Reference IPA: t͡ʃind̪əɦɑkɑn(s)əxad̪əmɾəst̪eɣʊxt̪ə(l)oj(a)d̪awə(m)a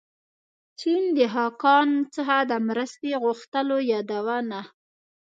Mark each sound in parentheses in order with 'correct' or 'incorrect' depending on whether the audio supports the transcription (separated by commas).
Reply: incorrect, correct, incorrect, incorrect